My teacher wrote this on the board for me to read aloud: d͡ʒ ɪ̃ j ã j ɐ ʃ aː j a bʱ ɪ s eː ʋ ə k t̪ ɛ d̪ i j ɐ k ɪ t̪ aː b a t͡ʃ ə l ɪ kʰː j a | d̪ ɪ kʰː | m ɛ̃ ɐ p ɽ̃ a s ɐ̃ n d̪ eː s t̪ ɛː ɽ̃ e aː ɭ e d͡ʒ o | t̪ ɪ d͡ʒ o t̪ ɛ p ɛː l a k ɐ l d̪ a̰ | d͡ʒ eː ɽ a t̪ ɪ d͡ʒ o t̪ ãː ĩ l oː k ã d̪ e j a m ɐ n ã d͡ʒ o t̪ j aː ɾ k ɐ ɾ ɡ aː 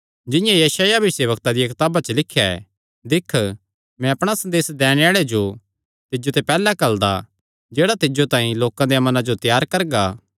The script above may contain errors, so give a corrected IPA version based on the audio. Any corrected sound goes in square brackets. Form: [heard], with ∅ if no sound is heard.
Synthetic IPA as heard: d͡ʒ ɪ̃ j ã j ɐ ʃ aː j a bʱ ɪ s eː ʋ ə k t̪ [a] d̪ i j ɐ k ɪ t̪ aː b a t͡ʃ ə l ɪ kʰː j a | d̪ ɪ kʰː | m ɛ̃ ɐ p ɽ̃ a s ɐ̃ n d̪ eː s [d̪] ɛː ɽ̃ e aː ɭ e d͡ʒ o | t̪ ɪ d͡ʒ o t̪ ɛ p ɛː l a k ɐ l d̪ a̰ | d͡ʒ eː ɽ a t̪ ɪ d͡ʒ o t̪ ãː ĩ l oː k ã d̪ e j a m ɐ n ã d͡ʒ o t̪ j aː ɾ k ɐ ɾ ɡ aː